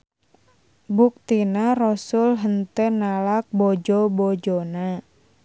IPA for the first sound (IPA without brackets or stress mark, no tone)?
b